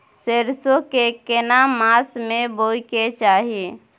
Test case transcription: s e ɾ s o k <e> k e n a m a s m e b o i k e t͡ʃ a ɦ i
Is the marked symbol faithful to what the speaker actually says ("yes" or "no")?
yes